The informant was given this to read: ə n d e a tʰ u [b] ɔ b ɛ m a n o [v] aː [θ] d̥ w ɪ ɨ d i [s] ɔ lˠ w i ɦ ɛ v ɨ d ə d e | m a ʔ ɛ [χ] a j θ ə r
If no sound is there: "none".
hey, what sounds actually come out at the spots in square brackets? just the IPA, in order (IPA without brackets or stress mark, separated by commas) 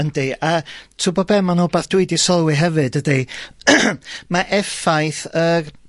b, b, θ, s, f